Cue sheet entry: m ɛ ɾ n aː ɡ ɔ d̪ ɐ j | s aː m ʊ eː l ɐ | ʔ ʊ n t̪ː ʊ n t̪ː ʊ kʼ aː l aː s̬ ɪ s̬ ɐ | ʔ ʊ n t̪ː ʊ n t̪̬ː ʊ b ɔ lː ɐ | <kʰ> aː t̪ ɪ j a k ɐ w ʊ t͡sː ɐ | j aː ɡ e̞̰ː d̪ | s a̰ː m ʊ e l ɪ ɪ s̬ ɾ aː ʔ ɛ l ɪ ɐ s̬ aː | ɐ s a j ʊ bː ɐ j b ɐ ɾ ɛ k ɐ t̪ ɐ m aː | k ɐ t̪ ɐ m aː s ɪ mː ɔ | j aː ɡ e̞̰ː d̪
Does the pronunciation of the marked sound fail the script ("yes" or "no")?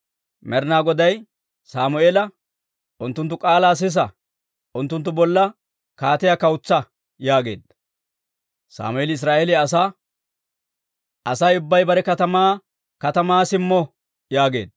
yes